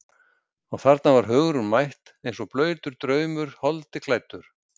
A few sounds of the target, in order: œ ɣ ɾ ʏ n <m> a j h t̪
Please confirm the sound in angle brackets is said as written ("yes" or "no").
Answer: yes